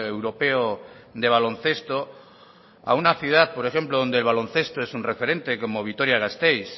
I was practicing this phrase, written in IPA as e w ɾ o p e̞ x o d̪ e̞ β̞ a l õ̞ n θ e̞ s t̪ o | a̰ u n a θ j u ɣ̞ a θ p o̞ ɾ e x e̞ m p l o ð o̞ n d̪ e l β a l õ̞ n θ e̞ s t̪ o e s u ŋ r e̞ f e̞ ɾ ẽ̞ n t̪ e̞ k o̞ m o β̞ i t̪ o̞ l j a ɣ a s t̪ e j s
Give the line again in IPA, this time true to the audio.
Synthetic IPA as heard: e w ɾ o p e̞ o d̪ e̞ β̞ a l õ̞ n θ e̞ s t̪ o | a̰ u n a θ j u ð̞ a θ p o̞ ɾ e x e̞ m p l o ð o̞ n d̪ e l β a l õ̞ n θ e̞ s t̪ o e s u n r e̞ f e̞ ɾ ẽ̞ n t̪ e̞ k o̞ m o β̞ i t̪ o̞ ɾ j a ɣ a s t̪ e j s

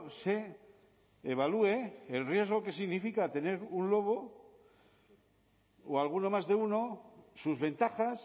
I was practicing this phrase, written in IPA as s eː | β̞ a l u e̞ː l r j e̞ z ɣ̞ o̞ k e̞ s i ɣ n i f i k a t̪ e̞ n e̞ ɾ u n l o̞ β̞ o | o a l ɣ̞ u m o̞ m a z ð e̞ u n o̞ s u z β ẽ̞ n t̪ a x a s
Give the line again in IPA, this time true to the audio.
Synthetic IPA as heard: s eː | β̞ a l u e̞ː l r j e̞ z ɣ̞ o̞ k e̞ s i ɣ n i f i k a t̪ e̞ n e̞ ɾ u n l o̞ β̞ o | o a l ɣ̞ u n o̞ m a z ð e̞ u n o̞ s u z β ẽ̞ n t̪ a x a s

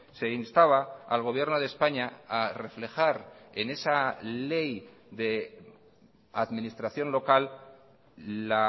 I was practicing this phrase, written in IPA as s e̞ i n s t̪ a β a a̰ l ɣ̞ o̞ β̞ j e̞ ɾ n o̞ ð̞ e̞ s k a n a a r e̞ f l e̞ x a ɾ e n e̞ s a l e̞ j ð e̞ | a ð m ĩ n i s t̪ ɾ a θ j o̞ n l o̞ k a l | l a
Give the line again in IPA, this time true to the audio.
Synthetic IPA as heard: s e̞ i n s t̪ a β a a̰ l ɣ̞ o̞ β̞ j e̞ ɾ n o̞ ð̞ e̞ s p a ɲ a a r e̞ f l e̞ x a ɾ e n e̞ s a l e̞ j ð e̞ | a ð m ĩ n i s t̪ ɾ a θ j o̞ n l o̞ k a l | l a

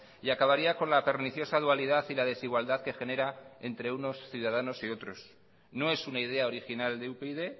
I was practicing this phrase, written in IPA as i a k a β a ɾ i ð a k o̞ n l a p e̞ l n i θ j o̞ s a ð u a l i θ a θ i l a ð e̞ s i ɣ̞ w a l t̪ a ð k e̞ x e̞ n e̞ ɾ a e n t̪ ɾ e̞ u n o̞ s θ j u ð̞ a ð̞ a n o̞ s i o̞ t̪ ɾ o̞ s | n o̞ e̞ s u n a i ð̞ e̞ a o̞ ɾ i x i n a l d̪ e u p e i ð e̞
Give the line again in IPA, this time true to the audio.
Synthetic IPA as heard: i a k a β a ɾ i a k o̞ n l a p e̞ ɾ n i θ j o̞ s a ð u a l i ð a θ i l a ð e̞ s i ɣ̞ w a l d̪ a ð k e̞ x e̞ n e̞ ɾ a e n t̪ ɾ e̞ u n o̞ s θ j u ð̞ a ð̞ a n o̞ s i o̞ t̪ ɾ o̞ s | n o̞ e̞ s u n a i ð̞ e̞ a o̞ ɾ i x i n a l d̪ e u p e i ð e̞

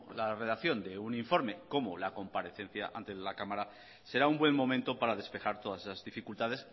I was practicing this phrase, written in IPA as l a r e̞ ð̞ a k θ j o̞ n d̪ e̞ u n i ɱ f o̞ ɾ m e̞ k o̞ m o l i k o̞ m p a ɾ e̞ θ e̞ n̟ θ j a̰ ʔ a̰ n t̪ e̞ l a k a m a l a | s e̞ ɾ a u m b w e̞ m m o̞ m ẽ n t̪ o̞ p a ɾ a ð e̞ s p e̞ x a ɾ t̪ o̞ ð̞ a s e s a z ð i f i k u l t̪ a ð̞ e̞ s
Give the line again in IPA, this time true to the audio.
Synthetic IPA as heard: l a r e̞ ð̞ a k θ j o̞ n d̪ e̞ u n i ɱ f o̞ ɾ m e̞ k o̞ m o l a k o̞ m p a ɾ e̞ θ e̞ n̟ θ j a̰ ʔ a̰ n t̪ e̞ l a k a m a ɾ a | s e̞ ɾ a u m b w e̞ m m o̞ m ẽ n t̪ o̞ p a ɾ a ð e̞ s p e̞ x a ɾ t̪ o̞ ð̞ a s e s a z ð i f i k u l t̪ a ð̞ e̞ s

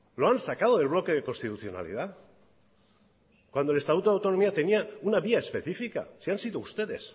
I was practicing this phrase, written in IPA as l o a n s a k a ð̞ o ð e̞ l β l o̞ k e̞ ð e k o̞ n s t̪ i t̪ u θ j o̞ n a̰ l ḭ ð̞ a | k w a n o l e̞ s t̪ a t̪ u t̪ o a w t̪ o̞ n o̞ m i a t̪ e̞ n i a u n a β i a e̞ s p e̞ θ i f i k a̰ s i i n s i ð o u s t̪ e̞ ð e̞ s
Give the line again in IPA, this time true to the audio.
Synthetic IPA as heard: l o a n s a k a ð̞ o ð e̞ l β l o̞ k e̞ ð e k o̞ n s t̪ i t̪ u θ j o̞ n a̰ l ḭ ð̞ a | k w a n o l e̞ s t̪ a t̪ u t̪ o a w t̪ o̞ n o̞ m i a t̪ e̞ n i a u n a β i a e̞ s p e̞ θ i f i k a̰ s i a n s i ð o u s t̪ e̞ ð e̞ s

